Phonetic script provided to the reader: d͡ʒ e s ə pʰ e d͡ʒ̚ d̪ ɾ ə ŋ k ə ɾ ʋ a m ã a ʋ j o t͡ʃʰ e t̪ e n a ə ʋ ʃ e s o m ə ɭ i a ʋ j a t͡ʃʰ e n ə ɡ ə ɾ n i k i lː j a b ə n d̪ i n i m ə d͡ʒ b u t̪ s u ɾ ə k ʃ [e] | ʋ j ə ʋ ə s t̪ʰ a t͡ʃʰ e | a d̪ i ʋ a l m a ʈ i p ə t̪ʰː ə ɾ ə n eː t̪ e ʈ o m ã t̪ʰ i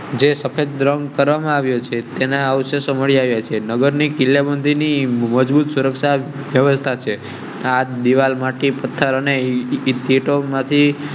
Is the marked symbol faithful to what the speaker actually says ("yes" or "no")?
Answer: no